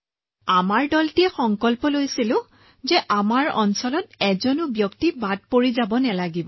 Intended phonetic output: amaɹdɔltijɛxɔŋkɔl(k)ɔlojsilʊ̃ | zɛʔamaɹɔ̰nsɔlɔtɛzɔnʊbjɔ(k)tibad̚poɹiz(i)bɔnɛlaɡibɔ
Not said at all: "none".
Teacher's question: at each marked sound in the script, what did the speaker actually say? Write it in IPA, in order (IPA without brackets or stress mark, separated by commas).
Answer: p, k, a